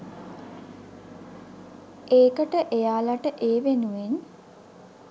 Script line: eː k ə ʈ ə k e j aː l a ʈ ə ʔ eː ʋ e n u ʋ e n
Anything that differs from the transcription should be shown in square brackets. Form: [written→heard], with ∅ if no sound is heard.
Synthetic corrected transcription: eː k ə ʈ ə [k→ʔ] e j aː l a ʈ ə ʔ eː ʋ e n u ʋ e n